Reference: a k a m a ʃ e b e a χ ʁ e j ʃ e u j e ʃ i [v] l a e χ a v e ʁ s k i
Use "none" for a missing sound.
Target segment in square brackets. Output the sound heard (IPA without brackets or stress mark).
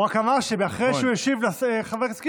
v